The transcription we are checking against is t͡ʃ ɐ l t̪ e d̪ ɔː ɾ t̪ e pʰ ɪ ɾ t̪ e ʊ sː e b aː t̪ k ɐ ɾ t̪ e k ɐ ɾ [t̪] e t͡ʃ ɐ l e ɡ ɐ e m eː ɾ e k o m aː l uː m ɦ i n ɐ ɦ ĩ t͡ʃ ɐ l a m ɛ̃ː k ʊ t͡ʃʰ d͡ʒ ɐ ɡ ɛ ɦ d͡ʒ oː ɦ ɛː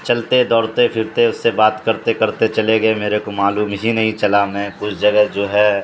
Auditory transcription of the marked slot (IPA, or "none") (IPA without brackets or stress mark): t̪